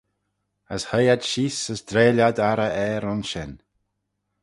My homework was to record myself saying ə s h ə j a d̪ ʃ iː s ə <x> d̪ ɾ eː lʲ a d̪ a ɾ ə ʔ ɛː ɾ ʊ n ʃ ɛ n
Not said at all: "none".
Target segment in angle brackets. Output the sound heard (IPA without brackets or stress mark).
s